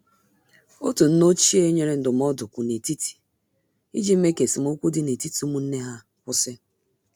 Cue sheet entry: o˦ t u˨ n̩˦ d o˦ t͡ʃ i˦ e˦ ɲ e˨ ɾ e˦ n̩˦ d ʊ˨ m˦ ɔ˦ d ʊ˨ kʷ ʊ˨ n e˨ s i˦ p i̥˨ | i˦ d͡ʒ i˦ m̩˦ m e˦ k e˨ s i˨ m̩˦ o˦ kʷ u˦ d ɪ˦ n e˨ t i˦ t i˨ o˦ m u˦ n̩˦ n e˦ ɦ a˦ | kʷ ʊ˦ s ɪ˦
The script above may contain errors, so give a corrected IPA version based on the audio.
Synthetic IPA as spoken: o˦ t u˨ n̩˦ n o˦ t͡ʃ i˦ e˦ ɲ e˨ ɾ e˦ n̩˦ d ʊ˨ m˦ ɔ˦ d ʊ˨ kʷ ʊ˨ n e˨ t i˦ t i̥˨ | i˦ d͡ʒ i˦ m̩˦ m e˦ k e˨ s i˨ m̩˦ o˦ kʷ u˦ d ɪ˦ n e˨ t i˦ t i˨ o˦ m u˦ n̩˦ n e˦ ɦ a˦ | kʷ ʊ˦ s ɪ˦